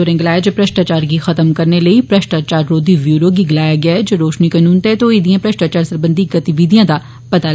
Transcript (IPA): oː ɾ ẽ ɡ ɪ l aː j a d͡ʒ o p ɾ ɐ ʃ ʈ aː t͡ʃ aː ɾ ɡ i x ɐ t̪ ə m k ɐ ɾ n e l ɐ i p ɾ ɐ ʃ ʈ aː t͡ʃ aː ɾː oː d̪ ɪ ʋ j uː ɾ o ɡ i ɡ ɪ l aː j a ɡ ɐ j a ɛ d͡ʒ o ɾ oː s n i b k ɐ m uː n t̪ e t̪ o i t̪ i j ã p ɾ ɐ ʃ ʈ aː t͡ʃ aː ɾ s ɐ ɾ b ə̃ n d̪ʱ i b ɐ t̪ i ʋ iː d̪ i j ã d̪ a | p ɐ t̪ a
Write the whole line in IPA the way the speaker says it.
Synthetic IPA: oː ɾ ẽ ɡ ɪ l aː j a d͡ʒ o p ɾ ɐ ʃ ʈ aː t͡ʃ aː ɾ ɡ i x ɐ t̪ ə m k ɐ ɾ n e l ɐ i p ɾ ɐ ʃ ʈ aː t͡ʃ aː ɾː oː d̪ i ʋ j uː ɾ o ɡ i ɡ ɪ l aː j a ɡ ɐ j a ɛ d͡ʒ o ɾ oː ʃ n i k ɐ n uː n t̪ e t̪ o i d̪ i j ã p ɾ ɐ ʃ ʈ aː t͡ʃ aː ɾ s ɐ ɾ b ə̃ n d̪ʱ i ɡ ɐ t̪ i ʋ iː d̪ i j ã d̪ a | p ɐ t̪ a